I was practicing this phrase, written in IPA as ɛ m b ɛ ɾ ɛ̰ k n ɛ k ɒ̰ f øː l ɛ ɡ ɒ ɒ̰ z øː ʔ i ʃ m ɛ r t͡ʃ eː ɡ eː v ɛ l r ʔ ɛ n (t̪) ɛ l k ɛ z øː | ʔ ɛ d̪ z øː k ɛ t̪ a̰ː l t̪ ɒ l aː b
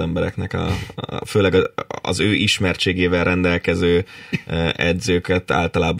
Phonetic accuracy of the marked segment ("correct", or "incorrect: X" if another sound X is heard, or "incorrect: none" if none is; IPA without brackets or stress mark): incorrect: d̪